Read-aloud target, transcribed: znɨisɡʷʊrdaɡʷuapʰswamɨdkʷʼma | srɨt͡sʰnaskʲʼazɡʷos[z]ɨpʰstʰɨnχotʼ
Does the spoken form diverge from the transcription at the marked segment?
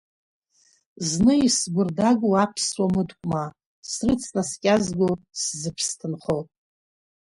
no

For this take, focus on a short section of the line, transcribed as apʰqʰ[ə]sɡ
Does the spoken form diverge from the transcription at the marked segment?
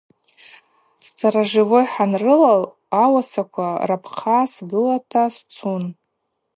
yes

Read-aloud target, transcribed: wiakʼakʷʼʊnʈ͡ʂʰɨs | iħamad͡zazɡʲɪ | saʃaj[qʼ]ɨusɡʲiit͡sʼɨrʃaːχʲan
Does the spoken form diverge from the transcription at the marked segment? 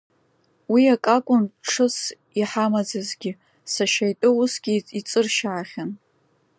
yes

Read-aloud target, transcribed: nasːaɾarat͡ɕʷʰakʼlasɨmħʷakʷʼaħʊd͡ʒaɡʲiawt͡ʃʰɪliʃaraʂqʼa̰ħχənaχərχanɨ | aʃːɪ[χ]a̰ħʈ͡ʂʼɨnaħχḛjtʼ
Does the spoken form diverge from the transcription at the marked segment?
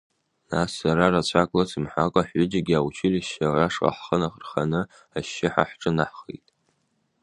yes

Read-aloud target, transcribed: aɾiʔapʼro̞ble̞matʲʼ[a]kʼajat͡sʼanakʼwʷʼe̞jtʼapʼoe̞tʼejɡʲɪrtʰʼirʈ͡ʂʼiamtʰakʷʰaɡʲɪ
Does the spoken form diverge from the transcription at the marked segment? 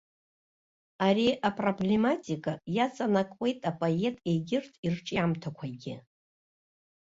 yes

